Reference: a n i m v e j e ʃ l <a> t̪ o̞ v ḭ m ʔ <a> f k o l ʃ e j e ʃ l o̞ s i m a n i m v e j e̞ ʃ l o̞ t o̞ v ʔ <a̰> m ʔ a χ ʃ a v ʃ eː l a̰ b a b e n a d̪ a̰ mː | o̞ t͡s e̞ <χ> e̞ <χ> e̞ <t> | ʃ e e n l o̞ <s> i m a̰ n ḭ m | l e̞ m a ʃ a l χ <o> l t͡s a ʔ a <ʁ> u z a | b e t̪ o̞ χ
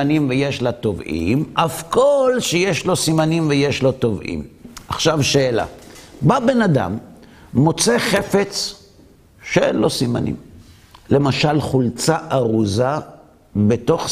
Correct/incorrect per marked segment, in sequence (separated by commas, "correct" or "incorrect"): correct, correct, incorrect, correct, incorrect, incorrect, correct, incorrect, correct